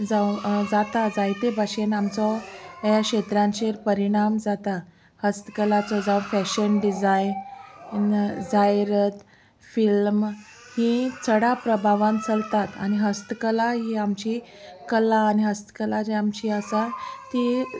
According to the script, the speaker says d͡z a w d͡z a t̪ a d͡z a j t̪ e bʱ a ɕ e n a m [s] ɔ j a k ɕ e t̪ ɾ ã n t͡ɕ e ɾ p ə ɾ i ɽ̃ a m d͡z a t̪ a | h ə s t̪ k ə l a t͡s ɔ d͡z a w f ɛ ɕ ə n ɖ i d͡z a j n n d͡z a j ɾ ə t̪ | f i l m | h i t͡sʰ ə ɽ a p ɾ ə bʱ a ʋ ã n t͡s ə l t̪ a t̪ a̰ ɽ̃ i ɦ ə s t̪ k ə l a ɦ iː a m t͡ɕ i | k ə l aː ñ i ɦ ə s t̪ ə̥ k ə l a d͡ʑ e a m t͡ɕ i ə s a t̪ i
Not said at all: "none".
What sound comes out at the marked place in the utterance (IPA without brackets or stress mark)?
t͡s